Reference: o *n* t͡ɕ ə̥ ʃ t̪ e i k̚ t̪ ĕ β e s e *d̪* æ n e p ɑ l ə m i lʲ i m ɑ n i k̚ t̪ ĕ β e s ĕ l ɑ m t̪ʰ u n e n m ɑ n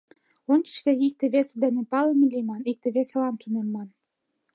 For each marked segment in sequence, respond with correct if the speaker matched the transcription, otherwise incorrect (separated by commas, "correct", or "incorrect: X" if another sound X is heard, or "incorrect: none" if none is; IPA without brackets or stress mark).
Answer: correct, correct